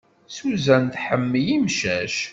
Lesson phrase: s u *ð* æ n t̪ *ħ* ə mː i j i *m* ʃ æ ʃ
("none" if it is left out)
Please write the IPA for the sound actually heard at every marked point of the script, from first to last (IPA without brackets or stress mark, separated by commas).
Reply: z, ħ, m